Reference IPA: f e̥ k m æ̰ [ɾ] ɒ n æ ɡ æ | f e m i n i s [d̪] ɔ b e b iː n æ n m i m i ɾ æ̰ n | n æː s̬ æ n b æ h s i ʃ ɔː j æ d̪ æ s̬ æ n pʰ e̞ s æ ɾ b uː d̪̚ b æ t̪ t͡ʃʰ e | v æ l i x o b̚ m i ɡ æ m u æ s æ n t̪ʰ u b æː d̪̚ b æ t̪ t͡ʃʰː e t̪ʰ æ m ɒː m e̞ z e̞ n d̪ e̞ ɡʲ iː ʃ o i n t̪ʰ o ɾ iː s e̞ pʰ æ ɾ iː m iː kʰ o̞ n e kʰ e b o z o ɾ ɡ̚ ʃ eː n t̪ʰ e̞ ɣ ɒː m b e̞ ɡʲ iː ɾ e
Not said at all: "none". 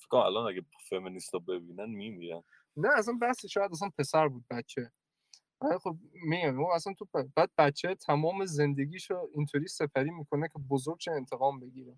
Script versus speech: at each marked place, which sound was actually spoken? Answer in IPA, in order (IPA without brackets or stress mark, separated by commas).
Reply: l, t̪